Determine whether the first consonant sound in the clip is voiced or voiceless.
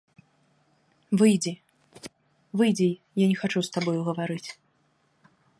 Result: voiced